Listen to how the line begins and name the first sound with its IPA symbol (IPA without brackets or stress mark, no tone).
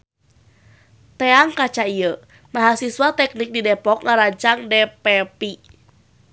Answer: t̪